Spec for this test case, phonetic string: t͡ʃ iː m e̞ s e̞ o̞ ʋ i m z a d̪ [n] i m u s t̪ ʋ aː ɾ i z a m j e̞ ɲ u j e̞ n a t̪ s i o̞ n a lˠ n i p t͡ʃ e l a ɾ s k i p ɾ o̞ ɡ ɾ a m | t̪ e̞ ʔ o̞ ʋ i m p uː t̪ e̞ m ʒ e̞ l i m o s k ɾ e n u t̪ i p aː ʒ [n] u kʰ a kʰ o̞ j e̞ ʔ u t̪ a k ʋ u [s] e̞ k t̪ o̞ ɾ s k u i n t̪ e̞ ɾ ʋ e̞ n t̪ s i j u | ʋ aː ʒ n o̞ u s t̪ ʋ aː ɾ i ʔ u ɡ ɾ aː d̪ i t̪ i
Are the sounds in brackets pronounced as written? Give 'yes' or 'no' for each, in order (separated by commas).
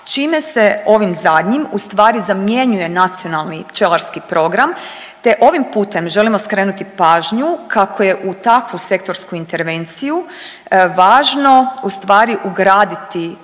no, no, yes